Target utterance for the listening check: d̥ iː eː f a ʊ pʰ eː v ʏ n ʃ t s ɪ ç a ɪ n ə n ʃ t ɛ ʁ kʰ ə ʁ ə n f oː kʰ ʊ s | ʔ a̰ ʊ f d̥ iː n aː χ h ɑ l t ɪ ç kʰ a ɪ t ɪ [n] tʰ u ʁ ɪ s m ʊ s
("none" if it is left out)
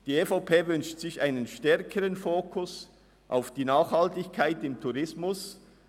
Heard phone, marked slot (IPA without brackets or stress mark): m